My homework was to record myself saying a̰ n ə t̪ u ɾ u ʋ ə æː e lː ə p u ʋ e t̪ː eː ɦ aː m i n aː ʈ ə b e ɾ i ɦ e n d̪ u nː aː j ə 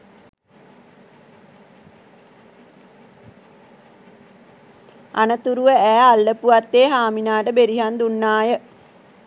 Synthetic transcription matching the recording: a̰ n ə t̪ u ɾ u ʋ ə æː a lː ə p u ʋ a t̪ː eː ɦ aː m i n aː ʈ ə b e ɾ i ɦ a n d̪ u nː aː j ə